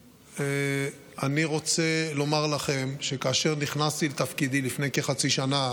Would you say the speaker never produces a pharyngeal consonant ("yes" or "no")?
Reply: yes